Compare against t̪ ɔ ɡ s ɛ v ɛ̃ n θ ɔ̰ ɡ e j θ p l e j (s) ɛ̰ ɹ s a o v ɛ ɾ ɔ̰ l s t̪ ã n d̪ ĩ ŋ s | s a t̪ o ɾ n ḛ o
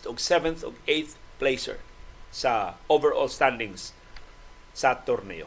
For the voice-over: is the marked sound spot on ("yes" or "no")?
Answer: yes